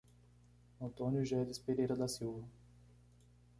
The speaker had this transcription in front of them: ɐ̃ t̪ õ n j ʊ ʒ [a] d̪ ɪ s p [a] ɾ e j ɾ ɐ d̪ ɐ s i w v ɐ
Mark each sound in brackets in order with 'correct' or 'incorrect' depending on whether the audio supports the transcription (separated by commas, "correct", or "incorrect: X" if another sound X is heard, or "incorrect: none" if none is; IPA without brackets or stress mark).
incorrect: ɛ, incorrect: e